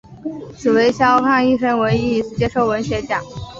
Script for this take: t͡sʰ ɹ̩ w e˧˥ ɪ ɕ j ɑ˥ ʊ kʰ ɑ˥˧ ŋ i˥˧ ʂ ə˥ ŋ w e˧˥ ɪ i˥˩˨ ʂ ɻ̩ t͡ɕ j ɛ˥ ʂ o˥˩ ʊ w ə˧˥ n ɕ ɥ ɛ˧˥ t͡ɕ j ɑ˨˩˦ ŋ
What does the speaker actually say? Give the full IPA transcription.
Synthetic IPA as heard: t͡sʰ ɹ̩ w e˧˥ ɪ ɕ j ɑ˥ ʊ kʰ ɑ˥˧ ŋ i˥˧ ʂ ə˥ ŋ w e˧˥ ɪ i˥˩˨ ʂ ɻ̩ t͡ɕ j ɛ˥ ʂ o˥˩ ʊ w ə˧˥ n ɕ ɥ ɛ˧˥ t͡ɕ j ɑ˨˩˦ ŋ